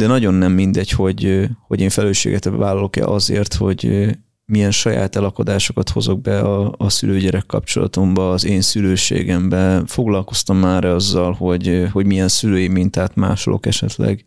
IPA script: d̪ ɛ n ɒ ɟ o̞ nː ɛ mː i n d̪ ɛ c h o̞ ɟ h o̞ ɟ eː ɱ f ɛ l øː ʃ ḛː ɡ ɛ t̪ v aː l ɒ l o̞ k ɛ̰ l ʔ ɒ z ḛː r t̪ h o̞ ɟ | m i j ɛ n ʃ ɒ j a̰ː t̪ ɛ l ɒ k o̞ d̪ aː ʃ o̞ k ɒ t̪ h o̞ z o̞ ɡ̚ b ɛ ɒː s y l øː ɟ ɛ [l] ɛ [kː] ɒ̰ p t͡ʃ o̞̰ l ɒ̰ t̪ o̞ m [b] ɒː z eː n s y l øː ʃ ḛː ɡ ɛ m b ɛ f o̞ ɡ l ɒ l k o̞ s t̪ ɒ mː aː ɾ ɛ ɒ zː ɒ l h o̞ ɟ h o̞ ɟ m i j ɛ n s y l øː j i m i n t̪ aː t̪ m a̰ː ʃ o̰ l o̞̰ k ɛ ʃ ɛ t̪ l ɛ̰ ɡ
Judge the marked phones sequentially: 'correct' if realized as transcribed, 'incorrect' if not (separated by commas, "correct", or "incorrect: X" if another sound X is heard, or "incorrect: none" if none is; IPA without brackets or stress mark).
incorrect: ɾ, correct, correct